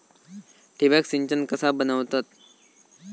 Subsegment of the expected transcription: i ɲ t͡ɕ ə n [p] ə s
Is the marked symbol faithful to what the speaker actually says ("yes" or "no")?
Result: no